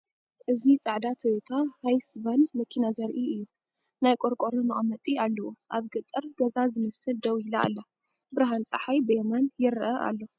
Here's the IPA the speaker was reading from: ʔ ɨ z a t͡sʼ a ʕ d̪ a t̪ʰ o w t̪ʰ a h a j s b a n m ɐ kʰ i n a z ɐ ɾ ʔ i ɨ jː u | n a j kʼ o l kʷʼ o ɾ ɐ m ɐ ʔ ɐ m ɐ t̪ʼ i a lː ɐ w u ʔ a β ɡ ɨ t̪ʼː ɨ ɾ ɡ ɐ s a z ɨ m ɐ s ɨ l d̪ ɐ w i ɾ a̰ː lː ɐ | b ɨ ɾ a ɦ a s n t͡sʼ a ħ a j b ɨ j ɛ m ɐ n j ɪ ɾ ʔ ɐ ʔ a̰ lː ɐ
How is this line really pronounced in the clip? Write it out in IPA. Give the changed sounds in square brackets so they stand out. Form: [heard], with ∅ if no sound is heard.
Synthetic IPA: ʔ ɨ z [i] t͡sʼ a ʕ d̪ a t̪ʰ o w t̪ʰ a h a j s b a n m ɐ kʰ i n a z ɐ ɾ ʔ i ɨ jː u | n a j kʼ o [ɾ] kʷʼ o ɾ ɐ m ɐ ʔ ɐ m ɐ t̪ʼ i a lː ɐ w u ʔ a β ɡ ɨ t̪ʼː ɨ ɾ ɡ ɐ [z] a z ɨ m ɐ s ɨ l d̪ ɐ w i [l] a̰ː lː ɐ | b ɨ ɾ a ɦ a [∅] n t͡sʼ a ħ a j b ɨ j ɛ m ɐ n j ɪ ɾ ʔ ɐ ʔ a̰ lː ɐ